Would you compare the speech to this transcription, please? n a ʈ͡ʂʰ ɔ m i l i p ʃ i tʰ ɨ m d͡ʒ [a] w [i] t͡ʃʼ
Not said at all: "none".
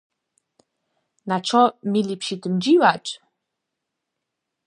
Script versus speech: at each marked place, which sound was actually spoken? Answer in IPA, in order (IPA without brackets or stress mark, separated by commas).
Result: i, a